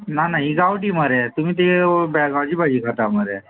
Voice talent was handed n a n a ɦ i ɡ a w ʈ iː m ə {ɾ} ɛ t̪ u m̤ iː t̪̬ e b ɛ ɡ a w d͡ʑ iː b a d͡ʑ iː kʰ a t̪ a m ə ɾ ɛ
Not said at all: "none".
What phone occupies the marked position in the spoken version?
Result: ɾ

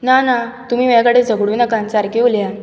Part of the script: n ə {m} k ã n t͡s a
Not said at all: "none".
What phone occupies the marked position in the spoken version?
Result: none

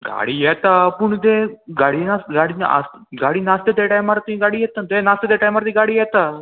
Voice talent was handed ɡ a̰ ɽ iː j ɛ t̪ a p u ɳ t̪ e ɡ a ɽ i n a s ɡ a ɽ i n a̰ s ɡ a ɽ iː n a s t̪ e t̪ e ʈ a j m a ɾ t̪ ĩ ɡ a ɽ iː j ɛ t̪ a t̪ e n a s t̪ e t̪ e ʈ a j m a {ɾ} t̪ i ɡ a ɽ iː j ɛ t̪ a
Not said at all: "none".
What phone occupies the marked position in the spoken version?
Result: ɾ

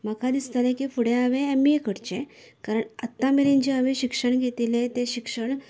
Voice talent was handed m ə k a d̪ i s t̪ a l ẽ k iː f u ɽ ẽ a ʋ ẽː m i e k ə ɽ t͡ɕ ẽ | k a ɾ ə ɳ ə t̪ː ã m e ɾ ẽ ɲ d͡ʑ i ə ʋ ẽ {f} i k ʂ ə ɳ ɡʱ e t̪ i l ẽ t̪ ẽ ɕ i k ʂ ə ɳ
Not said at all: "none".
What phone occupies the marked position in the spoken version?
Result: ɕ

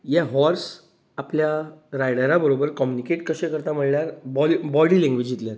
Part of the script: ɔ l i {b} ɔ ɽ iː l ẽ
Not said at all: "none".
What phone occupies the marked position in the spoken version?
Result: b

